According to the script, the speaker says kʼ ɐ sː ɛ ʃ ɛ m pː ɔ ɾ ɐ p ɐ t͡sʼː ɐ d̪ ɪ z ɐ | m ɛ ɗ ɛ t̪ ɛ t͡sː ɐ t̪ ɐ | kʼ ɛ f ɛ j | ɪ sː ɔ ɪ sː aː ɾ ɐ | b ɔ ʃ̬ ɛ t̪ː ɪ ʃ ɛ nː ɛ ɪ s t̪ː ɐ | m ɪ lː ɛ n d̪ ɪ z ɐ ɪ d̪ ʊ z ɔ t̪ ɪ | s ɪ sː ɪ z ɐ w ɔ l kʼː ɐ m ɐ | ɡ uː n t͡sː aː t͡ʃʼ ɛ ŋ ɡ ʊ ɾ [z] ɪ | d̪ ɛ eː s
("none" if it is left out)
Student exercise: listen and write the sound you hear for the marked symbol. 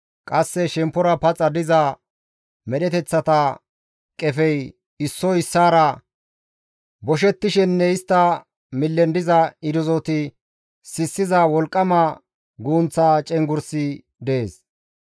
s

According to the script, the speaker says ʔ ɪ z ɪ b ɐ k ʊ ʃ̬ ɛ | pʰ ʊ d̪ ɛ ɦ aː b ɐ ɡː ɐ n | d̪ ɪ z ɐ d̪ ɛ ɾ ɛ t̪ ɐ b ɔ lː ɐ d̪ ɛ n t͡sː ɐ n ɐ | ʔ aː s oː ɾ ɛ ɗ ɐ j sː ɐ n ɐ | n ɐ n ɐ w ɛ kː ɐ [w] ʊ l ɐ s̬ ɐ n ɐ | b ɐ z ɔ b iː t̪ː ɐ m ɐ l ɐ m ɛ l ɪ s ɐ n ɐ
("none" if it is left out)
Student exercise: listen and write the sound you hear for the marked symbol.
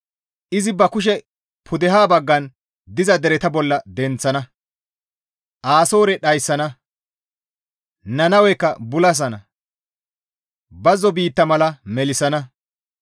b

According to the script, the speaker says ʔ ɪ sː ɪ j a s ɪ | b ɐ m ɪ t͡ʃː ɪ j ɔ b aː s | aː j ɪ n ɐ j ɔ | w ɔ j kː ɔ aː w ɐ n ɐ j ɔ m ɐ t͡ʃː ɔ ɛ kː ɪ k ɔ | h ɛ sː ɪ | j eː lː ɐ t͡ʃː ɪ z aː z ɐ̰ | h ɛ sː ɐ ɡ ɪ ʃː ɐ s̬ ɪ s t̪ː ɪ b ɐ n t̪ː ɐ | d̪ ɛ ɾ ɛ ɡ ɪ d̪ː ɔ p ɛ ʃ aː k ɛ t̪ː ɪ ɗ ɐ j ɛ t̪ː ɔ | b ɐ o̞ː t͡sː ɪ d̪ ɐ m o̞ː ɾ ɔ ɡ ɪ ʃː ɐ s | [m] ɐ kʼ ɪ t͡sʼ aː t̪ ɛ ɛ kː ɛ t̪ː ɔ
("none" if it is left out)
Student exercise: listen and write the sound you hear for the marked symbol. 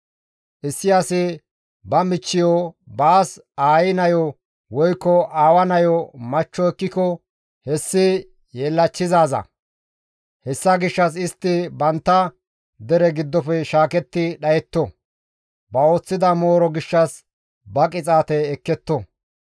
b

